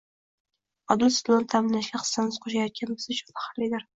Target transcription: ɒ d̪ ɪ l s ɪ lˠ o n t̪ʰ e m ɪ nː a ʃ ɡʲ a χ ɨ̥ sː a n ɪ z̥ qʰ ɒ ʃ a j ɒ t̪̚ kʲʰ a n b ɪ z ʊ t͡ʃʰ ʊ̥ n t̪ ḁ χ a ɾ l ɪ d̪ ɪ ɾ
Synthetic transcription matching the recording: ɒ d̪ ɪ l s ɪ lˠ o n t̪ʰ a m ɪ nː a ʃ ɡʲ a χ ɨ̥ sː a n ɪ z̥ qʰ o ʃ a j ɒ t̪̚ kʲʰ a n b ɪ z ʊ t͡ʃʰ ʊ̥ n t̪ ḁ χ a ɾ l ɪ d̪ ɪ ɾ

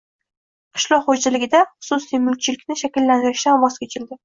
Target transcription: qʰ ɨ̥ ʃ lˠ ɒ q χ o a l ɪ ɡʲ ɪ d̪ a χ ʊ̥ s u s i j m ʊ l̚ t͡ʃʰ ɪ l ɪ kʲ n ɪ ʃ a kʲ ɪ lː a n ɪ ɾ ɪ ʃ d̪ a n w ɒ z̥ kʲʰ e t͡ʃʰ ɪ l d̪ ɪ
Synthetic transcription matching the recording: qʰ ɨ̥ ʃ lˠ ɒ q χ o a l ɪ ɡʲ ɪ d̪ a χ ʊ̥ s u s i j m ʊ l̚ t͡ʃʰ ɪ l ɪ kʲ n ɪ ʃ a kʲ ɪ lː a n ɪ ɾ ɪ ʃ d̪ a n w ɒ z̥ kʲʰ e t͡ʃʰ ɪ l d̪ ɪ

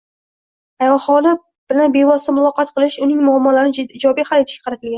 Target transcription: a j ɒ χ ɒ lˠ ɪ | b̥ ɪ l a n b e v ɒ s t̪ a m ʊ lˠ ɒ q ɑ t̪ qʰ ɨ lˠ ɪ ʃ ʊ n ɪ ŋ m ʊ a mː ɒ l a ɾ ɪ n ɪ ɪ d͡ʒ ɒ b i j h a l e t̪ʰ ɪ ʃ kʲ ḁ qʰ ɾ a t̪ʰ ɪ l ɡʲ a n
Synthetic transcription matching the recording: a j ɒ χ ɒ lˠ ɪ | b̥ ɪ l a n b e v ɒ s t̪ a m ʊ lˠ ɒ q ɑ t̪ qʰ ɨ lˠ ɪ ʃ ʊ n ɪ ŋ m ʊ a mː ɒ l a ɾ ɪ n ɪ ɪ d͡ʒ ɒ b i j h a l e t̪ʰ ɪ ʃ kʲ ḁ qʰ ɾ a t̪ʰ ɪ l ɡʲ a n

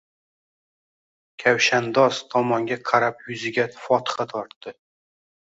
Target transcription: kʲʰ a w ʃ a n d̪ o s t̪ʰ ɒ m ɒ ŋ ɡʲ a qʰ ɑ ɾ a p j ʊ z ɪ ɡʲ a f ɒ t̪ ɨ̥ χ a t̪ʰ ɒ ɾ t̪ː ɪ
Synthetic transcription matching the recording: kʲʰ a w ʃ a n d̪ ɒ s t̪ʰ ɒ m ɒ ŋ ɡʲ a qʰ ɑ ɾ a p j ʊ z ɪ ɡʲ a f ɒ t̪ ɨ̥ χ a t̪ʰ ɒ ɾ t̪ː ɪ

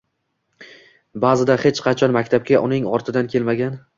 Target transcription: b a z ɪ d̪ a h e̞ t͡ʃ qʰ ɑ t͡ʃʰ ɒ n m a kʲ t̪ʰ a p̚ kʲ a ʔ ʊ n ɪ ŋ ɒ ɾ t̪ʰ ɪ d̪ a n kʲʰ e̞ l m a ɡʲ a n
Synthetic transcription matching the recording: b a z ɪ d̪ a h e̞ t͡ʃ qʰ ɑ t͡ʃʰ ɒ n m a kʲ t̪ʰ a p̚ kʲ a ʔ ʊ n ɪ ŋ ɒ ɾ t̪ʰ ɪ d̪ a n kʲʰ e̞ l m a ɡʲ a n

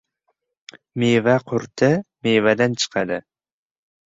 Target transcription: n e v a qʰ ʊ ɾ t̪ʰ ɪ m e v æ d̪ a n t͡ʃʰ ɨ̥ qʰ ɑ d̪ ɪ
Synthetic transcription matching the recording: m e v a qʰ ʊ ɾ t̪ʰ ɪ m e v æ d̪ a n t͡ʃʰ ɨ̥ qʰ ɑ d̪ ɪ

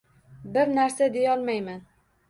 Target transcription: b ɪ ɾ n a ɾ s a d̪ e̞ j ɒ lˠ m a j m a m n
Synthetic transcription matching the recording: b ɪ ɾ n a ɾ s a d̪ e̞ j ɒ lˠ m a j m a n

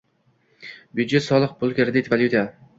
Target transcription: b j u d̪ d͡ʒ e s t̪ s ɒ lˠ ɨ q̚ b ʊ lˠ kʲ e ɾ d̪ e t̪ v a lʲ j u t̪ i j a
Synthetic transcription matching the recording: b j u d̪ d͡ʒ e t̪ s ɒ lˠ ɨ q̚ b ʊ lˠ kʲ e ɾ d̪ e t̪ v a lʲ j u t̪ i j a

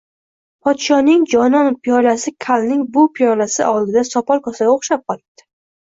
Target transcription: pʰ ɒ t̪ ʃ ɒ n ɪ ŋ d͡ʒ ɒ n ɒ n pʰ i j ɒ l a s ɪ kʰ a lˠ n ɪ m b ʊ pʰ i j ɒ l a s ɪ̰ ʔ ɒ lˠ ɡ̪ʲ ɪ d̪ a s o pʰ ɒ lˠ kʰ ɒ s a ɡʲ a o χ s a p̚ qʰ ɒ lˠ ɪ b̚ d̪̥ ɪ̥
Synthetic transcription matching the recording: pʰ ɒ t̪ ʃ ɒ n ɪ ŋ d͡ʒ ɒ n ɒ n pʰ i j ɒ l a s ɪ kʰ a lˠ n ɪ ŋ b ʊ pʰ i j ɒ l a s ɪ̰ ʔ ɒ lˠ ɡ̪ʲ ɪ d̪ a s ɒ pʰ ɒ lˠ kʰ ɒ s a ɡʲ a o χ ʃ a p̚ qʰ ɒ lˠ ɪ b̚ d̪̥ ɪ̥

